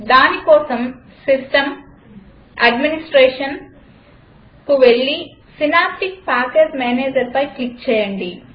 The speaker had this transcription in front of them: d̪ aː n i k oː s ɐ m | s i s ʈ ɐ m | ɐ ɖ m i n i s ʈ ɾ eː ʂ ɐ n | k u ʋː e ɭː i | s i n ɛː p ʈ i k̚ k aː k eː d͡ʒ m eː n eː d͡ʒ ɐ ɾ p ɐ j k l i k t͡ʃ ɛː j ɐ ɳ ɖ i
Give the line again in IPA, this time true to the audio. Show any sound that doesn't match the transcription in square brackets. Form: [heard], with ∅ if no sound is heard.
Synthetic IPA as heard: d̪ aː n i k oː s ɐ m | s i s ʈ ɐ m | ɐ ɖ m i n i s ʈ ɾ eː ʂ ɐ n | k u [ʋ] e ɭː i | s i n [aː] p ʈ i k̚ [p] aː k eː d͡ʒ m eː n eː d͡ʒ ɐ ɾ p ɐ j k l i k t͡ʃ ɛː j ɐ ɳ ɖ i